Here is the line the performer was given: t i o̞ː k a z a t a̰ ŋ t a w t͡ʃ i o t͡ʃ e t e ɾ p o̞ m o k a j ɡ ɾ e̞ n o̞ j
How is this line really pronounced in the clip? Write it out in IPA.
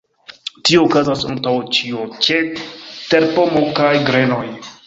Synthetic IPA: t i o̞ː k a z a s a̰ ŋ t a w t͡ʃ i o t͡ʃ e t e ɾ p o̞ m o k a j ɡ ɾ e̞ n o̞ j